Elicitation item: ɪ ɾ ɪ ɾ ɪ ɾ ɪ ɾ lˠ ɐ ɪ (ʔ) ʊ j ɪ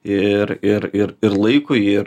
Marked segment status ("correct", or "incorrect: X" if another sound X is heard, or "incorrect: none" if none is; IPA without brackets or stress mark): incorrect: k